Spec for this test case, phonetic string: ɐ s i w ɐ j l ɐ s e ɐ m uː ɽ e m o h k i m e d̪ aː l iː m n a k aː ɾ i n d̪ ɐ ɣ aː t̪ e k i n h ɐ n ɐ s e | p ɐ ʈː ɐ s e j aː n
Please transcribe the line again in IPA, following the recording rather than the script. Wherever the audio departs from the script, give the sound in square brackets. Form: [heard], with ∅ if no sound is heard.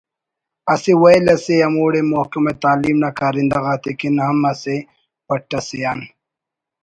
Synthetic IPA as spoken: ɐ s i w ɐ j l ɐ s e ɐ m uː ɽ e m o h k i m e [t̪] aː l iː m n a k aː ɾ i n d̪ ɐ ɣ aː t̪ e k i n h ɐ [m] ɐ s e | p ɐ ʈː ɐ s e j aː n

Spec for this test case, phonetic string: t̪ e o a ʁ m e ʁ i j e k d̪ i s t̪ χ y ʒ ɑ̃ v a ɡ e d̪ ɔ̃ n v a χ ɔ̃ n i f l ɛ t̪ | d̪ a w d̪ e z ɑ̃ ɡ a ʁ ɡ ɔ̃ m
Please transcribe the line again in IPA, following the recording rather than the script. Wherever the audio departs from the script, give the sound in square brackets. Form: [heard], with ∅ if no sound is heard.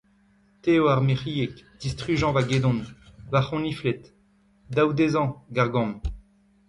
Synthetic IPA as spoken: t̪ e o a ʁ m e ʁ i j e k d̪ i s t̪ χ y ʒ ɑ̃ v a ɡ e d̪ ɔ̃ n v a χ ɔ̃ n i f l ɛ t̪ | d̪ a w d̪ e z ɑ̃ ɡ a ʁ ɡ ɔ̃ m

